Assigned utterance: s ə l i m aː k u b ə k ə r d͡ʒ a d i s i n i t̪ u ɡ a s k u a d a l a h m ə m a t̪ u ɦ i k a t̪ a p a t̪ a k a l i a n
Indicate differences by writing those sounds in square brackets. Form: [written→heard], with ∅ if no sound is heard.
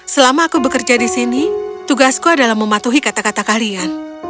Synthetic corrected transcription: s ə l [i→a] m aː k u b ə k ə r d͡ʒ a d i s i n i t̪ u ɡ a s k u a d a l a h m ə m a t̪ u ɦ i k a t̪ a [p→k] a t̪ a k a l i a n